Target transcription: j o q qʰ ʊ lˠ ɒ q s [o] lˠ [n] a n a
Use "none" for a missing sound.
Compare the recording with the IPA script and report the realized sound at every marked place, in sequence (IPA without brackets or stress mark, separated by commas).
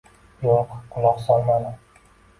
ɒ, m